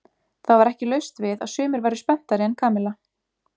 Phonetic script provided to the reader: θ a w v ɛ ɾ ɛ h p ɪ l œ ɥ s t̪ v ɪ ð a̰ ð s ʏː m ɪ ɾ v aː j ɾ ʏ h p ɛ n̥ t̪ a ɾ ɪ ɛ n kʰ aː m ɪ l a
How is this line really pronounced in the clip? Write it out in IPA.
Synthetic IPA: θ a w v a ɾ ɛ h c ɪ l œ ɥ s t̪ v ɪ ð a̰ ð s ʏː m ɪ ɾ v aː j ɾ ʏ s p ɛ n̥ t̪ a ɾ ɪ ɛ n kʰ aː m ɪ l a